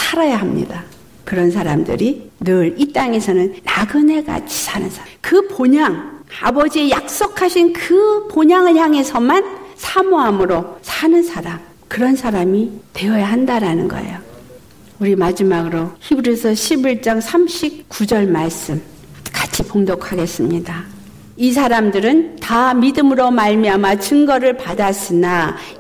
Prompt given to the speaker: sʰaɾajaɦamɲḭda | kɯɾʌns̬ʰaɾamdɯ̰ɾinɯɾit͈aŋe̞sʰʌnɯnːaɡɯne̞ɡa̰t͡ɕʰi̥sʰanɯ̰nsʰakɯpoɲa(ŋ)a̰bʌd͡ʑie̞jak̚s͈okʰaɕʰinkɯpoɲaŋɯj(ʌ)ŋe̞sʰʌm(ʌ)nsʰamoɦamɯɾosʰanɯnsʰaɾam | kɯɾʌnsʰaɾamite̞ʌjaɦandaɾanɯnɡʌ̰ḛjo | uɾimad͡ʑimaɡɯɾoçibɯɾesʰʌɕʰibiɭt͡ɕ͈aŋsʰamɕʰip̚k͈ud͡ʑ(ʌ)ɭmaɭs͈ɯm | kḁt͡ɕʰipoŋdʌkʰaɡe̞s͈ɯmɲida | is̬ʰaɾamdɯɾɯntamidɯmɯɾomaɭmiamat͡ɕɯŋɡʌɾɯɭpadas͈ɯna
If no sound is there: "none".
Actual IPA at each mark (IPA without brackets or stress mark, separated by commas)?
ŋ, a, a, ʌ